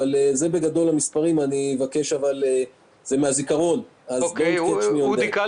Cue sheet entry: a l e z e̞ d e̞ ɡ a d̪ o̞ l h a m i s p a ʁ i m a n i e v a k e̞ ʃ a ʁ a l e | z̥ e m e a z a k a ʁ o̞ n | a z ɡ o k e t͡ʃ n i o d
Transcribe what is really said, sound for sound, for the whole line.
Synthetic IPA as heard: a l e z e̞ b e̞ ɡ a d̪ o̞ l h a m i s p a ʁ i m a n i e v a k e̞ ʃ a v a l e | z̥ e m e a z i k a ʁ o̞ n | a z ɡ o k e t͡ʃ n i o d